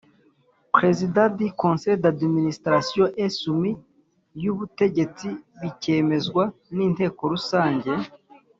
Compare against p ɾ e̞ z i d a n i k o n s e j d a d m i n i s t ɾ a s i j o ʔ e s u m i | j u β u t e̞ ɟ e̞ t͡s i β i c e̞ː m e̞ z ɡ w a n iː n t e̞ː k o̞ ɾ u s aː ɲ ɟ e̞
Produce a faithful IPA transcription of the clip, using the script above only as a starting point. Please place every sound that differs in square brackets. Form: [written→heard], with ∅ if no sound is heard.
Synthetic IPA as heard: p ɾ e̞ z i d a [n→d] i k o n s e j d a d m i n i s t ɾ a s i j o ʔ e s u m i | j u β u t e̞ ɟ e̞ t͡s i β i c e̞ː m e̞ z ɡ w a n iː n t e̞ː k o̞ ɾ u s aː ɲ ɟ e̞